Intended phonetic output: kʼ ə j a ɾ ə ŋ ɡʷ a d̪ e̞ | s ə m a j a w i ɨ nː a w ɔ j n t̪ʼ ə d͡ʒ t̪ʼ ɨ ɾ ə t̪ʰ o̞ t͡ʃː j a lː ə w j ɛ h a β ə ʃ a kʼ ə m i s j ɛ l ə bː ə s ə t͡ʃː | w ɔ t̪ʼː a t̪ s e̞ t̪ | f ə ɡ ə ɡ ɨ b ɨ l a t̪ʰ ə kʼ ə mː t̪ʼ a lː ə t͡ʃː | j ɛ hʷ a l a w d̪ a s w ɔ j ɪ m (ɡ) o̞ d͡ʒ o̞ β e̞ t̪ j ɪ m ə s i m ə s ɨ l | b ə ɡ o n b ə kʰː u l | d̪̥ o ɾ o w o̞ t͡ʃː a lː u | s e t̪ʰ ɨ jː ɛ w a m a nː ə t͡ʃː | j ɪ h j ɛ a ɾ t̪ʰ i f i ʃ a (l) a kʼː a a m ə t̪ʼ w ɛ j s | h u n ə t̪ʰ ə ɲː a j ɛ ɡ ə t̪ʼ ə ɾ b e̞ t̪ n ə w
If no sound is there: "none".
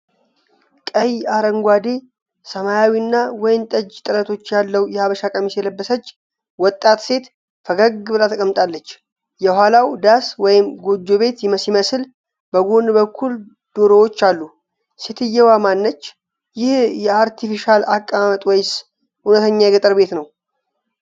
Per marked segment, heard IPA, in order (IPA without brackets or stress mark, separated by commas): ɡ, l